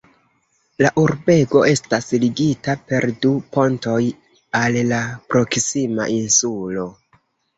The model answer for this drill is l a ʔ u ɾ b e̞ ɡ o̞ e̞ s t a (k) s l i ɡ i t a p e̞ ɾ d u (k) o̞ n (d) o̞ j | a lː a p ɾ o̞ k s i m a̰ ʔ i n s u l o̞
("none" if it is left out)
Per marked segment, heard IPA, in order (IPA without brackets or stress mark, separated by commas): none, p, t